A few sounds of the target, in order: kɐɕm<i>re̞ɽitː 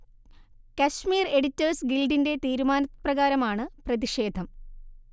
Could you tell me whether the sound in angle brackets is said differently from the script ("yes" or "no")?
yes